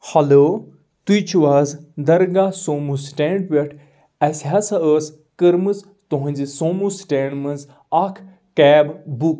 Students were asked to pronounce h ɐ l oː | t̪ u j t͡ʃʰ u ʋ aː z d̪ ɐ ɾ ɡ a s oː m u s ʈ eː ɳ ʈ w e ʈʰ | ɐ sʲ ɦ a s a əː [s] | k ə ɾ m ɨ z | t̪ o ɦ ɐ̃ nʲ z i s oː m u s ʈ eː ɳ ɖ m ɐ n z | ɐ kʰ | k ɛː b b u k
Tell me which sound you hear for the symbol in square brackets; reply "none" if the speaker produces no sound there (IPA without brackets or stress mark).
s